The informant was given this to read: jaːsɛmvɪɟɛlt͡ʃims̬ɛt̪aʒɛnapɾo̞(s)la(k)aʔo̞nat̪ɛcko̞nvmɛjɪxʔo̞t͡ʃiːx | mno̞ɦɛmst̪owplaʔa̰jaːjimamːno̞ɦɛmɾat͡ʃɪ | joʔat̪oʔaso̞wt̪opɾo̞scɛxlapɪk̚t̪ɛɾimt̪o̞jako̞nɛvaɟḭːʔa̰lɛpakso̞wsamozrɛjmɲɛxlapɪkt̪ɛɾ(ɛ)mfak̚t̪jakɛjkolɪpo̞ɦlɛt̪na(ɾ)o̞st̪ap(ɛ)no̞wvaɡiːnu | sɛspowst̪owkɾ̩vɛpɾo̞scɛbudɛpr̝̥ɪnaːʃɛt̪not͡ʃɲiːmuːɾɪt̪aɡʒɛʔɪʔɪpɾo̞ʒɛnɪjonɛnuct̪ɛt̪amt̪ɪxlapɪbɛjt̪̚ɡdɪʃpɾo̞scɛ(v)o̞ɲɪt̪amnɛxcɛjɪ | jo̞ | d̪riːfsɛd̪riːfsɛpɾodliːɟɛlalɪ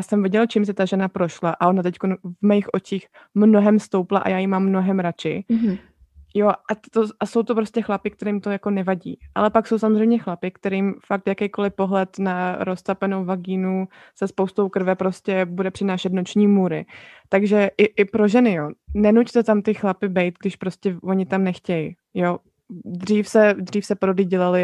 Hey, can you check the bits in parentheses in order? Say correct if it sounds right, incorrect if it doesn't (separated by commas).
incorrect, incorrect, incorrect, correct, correct, correct